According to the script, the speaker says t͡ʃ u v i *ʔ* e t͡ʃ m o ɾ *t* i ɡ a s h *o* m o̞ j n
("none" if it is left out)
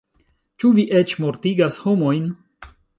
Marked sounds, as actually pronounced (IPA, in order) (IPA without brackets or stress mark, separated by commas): ʔ, t, o